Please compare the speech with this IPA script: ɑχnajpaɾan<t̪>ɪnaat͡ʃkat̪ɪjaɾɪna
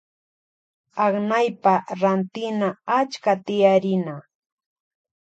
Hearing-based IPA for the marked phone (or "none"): t̪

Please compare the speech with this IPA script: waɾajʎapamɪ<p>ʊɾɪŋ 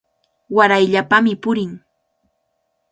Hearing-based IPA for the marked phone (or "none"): p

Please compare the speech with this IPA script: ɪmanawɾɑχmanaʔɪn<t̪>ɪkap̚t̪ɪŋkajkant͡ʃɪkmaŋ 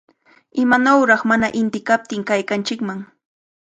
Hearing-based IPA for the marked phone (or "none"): t̪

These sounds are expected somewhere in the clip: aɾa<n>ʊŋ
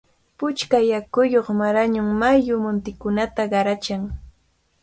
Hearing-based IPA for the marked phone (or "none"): ɲ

